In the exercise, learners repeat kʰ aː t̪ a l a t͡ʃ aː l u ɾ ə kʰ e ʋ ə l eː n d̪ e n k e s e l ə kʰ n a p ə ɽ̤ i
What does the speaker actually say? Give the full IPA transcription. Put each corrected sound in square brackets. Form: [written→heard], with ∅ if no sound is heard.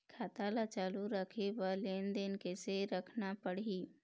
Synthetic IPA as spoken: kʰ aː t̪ a l a t͡ʃ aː l u ɾ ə kʰ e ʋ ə l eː n d̪ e n k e s e [l→ɾ] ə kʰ n a p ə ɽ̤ i

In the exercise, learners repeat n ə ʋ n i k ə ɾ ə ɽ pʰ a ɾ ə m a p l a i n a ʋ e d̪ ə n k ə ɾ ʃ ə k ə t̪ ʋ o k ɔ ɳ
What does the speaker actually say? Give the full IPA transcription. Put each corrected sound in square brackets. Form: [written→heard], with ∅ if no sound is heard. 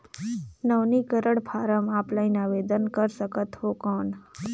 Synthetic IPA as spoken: n ə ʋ n i k ə ɾ ə ɽ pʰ a ɾ ə m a p l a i n a ʋ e d̪ ə n k ə ɾ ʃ ə k ə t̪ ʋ o k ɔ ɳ

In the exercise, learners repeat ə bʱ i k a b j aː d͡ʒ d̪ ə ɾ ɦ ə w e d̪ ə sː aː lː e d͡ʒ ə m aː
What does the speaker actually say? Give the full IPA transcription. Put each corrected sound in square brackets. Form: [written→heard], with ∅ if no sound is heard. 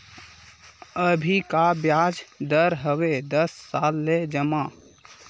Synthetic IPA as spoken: ə bʱ i k a b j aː d͡ʒ d̪ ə ɾ ɦ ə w e d̪ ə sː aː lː e d͡ʒ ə m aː

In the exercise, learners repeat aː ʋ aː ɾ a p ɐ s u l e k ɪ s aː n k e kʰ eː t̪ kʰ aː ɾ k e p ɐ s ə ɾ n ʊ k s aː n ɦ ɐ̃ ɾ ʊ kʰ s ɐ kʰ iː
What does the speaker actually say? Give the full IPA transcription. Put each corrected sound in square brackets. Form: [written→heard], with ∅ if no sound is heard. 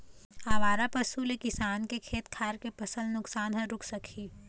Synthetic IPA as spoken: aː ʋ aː ɾ a p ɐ s u l e k ɪ s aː n k e kʰ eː t̪ kʰ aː ɾ k e p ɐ s ə [ɾ→l] n ʊ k s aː n ɦ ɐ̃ ɾ ʊ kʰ s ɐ kʰ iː

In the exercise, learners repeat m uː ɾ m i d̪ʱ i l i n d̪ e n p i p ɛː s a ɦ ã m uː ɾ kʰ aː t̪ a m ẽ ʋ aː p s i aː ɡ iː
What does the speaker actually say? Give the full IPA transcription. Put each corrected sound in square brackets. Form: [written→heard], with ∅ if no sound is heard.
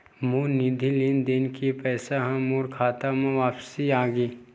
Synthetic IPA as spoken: m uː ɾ [m→n] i d̪ʱ i l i n d̪ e n [p→k] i p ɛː s a ɦ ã m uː ɾ kʰ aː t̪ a m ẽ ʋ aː p s i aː ɡ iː

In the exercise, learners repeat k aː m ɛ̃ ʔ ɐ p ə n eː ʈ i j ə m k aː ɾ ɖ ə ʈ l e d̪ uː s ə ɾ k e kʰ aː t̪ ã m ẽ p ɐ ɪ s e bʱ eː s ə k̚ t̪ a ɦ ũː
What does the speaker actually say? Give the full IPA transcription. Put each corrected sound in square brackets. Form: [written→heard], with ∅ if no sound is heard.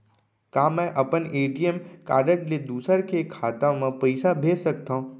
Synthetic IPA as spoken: k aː m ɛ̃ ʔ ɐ p ə n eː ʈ i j ə m k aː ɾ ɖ ə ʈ l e d̪ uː s ə ɾ k e kʰ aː t̪ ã m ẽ p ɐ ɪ s [e→a] bʱ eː s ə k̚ t̪ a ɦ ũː

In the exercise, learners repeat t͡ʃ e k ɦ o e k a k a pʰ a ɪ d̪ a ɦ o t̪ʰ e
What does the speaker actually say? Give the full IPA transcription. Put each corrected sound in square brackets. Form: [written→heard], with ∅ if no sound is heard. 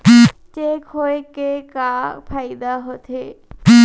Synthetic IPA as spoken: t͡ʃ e k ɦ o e k [a→e] k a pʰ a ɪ d̪ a ɦ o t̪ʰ e

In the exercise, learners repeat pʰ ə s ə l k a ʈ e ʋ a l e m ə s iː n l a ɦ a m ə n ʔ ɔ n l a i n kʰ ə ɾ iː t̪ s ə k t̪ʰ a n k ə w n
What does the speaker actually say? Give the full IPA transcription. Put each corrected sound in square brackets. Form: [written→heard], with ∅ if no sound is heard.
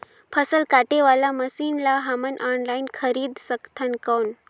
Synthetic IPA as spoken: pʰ ə s ə l k a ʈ e ʋ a l [e→a] m ə s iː n l a ɦ a m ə n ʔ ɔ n l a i n kʰ ə ɾ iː [t̪→d̪] s ə k t̪ʰ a n k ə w n

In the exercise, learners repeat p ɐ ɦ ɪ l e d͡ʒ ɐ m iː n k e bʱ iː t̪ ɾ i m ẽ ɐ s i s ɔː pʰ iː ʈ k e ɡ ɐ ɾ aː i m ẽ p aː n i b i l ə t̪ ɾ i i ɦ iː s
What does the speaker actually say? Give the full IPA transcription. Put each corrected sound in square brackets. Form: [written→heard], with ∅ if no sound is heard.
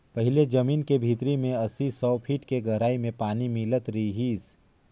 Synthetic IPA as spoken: p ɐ ɦ ɪ l e d͡ʒ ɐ m iː n k e bʱ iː t̪ ɾ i m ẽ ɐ s i s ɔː pʰ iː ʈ k e ɡ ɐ ɾ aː i m ẽ p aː n i [b→m] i l ə t̪ ɾ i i ɦ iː s

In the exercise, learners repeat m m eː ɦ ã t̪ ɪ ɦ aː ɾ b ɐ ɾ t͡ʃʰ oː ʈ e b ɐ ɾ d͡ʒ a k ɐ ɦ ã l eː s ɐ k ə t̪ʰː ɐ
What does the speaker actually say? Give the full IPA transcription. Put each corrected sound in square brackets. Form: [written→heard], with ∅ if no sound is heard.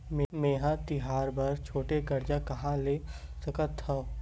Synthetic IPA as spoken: m m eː ɦ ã t̪ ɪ ɦ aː ɾ b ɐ ɾ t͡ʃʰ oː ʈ e [b→ɡ] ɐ ɾ d͡ʒ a k ɐ ɦ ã l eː s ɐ k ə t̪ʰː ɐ

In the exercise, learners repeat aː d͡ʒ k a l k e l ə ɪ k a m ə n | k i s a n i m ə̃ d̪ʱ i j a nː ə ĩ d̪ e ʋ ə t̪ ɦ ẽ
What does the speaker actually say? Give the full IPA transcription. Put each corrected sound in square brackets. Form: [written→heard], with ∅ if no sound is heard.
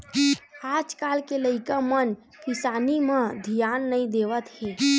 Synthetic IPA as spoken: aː d͡ʒ k a l k e l ə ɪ k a m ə n | k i s a n i m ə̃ d̪ʱ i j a nː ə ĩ d̪ e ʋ ə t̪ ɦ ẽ

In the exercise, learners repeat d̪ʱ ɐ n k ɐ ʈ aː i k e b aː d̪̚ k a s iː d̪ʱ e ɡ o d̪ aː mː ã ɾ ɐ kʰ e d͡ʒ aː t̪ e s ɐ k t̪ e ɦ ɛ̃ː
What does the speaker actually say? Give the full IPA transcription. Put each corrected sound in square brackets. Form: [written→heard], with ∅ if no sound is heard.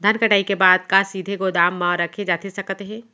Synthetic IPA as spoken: d̪ʱ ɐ n k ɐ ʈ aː i k e b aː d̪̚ k a s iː d̪ʱ e ɡ o d̪ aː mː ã ɾ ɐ kʰ e d͡ʒ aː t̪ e s ɐ k t̪ e ɦ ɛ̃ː

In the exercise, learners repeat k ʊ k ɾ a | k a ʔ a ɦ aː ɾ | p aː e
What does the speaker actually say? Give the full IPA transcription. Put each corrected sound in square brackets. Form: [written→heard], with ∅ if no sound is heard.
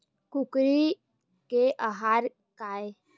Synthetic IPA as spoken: k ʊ k ɾ [a→i] | k [a→e] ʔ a ɦ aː ɾ | [p→k] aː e

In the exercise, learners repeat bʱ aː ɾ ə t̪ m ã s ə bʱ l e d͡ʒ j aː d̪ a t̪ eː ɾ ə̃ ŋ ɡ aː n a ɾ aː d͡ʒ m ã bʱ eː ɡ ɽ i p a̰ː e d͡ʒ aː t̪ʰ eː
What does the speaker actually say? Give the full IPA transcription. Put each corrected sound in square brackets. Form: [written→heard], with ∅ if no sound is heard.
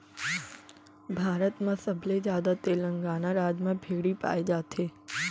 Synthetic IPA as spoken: bʱ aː ɾ ə t̪ m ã s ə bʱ l e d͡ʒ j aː d̪ a t̪ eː [ɾ→l] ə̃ ŋ ɡ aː n a ɾ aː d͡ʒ m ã bʱ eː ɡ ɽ i p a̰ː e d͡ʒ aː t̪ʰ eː

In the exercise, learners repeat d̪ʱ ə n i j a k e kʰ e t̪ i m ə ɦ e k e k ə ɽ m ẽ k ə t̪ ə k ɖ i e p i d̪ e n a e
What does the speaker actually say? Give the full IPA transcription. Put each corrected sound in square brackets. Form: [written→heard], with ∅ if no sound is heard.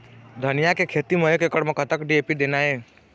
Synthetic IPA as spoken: d̪ʱ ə n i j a k e kʰ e t̪ i m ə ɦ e k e k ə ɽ m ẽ k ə t̪ ə k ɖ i e p i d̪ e n a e

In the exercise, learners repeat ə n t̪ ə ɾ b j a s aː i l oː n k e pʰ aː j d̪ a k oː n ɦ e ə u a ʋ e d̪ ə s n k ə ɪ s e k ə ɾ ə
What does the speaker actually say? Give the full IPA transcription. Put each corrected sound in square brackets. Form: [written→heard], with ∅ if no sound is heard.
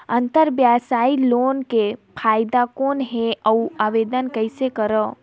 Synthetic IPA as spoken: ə n t̪ ə ɾ b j a s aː i l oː n k e pʰ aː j d̪ a k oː n ɦ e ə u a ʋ e d̪ ə [s→∅] n k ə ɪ s e k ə ɾ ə

